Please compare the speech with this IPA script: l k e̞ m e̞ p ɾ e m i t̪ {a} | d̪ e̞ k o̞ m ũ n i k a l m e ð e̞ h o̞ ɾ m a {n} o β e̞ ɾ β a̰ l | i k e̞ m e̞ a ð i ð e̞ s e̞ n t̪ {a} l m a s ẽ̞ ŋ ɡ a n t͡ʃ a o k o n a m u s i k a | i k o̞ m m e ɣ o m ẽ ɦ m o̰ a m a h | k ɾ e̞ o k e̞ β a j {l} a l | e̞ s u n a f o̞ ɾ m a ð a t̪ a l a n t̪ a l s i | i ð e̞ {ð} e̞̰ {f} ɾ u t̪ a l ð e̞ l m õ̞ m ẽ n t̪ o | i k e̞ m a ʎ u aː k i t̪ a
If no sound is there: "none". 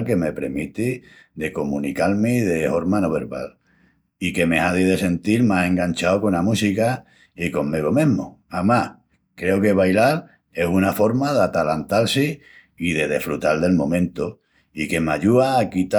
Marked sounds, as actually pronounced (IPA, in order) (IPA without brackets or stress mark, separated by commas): i, n, i, l, ð, f